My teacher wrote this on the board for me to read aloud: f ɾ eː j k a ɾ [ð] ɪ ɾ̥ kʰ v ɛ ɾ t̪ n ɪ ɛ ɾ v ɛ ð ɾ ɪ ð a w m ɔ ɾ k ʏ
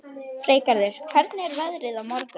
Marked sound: correct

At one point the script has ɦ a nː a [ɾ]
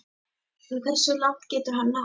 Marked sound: incorrect: none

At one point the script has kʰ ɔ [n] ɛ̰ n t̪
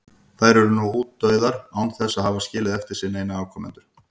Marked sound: incorrect: m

